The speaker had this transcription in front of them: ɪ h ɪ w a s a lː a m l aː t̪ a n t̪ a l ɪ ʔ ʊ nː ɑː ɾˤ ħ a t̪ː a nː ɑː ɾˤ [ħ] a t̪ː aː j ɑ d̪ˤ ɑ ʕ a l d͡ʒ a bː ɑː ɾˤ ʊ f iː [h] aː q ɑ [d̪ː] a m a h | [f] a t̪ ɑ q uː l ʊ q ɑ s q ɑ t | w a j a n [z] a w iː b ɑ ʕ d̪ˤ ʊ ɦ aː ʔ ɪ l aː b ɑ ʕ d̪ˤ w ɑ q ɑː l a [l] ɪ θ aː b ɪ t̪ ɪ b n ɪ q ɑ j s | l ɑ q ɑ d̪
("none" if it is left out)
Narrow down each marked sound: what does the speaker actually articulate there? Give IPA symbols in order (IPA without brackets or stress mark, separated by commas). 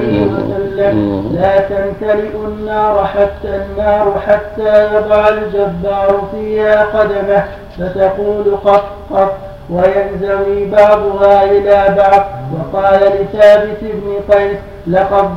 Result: ħ, h, d̪, f, z, l